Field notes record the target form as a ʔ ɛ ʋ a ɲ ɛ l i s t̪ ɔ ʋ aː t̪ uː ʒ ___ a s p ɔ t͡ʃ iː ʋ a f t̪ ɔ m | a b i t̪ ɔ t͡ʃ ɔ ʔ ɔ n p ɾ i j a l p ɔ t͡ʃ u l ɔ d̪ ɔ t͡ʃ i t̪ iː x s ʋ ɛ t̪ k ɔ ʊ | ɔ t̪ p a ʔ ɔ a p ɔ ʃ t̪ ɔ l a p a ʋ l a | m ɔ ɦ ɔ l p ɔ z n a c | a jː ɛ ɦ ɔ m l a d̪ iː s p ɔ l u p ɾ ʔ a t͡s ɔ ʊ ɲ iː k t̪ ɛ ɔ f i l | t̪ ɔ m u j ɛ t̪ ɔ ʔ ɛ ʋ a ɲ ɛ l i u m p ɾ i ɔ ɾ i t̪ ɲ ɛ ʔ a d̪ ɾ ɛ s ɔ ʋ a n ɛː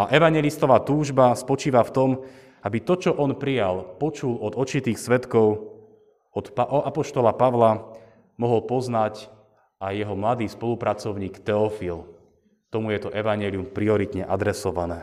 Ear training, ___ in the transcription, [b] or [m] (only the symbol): b